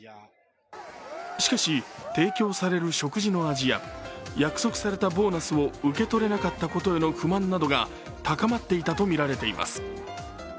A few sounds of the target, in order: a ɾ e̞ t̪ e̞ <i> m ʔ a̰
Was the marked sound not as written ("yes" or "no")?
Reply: no